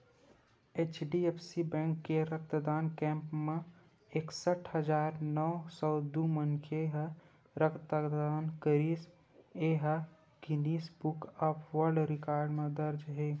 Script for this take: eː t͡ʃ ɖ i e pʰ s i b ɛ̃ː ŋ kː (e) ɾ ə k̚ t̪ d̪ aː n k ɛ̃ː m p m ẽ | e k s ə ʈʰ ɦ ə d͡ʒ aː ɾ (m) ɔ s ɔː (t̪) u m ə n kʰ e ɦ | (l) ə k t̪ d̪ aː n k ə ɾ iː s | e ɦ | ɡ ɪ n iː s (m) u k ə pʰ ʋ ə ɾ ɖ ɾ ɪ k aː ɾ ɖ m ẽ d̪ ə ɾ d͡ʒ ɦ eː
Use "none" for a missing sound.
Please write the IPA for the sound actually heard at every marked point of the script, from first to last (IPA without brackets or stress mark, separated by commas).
e, n, d̪, ɾ, b